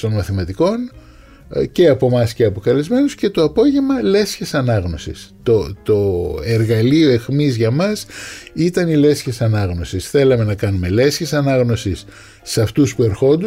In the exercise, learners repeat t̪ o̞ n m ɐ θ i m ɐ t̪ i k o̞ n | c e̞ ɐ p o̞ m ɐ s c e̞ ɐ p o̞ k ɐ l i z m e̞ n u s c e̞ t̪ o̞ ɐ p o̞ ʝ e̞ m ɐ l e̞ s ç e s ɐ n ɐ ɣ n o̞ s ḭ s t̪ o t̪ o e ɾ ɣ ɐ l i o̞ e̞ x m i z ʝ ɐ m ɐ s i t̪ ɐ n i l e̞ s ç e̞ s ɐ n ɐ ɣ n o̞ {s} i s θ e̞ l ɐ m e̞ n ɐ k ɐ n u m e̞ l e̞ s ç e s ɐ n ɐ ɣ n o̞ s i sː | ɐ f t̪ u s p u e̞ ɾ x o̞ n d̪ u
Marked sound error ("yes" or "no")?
no